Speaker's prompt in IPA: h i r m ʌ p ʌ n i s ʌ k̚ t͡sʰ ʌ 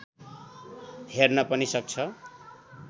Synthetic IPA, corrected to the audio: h e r n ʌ p ʌ n i s ʌ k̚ t͡sʰ ʌ